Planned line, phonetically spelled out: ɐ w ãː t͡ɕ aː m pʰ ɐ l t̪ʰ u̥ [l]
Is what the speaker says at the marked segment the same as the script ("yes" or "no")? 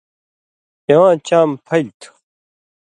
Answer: no